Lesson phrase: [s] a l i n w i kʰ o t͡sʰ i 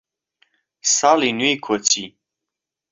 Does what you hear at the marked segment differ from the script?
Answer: no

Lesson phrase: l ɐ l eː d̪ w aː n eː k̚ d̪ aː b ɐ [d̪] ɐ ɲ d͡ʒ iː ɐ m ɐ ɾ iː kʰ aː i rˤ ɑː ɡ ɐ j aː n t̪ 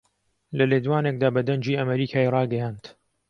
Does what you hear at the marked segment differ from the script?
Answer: no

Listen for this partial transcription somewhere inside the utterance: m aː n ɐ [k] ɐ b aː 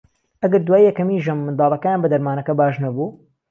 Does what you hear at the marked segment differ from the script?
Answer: no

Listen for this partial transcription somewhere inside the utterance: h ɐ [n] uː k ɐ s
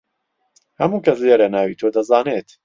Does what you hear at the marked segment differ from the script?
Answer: yes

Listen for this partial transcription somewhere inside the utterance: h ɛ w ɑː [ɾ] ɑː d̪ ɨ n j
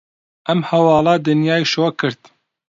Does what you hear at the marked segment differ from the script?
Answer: yes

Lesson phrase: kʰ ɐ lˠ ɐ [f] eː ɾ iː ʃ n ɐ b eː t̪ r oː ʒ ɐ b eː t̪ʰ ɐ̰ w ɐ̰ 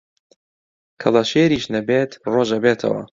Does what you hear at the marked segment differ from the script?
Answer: yes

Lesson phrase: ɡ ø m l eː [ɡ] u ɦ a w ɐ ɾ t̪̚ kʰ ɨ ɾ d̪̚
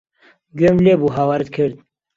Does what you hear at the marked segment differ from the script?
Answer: yes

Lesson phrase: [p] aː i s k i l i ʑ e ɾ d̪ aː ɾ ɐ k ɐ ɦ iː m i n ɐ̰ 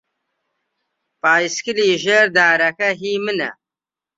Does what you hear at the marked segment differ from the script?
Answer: no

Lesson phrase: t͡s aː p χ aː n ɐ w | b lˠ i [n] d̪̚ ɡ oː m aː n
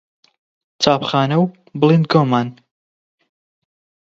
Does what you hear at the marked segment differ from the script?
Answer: no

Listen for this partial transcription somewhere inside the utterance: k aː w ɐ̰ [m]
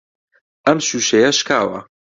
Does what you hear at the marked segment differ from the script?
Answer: yes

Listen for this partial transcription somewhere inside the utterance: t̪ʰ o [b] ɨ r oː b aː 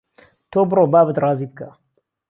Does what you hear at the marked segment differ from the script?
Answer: no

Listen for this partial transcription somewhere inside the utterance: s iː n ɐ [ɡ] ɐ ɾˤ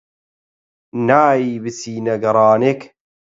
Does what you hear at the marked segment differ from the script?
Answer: no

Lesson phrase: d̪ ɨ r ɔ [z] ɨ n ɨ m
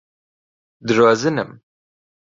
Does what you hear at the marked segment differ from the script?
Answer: no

